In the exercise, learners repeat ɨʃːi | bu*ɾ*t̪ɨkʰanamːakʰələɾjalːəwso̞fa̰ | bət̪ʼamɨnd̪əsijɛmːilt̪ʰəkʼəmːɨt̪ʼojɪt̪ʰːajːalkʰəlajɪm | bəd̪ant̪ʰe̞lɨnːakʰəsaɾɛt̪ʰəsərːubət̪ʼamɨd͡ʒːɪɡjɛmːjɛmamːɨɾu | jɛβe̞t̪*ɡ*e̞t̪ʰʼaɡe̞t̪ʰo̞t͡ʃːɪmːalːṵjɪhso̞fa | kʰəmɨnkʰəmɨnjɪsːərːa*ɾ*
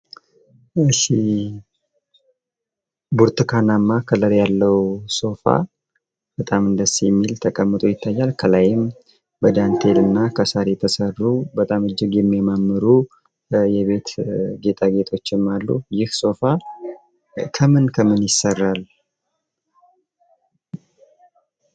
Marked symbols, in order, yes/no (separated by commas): yes, yes, no